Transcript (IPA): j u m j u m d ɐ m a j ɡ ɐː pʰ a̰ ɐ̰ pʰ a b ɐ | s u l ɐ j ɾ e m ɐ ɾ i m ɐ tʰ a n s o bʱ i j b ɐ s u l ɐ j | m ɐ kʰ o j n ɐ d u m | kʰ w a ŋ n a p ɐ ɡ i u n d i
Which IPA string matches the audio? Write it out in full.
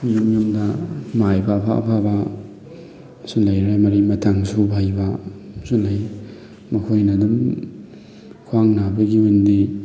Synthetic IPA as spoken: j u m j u m d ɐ m a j b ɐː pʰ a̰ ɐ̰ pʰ a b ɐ | s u l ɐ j ɾ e m ɐ ɾ i m ɐ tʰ a ŋ s u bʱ a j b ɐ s u l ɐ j | m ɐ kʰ o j n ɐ d u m | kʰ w a ŋ n a b ɐ ɡ i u n d i